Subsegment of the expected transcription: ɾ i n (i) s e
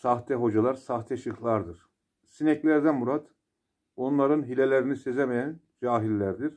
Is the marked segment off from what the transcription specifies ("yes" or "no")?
no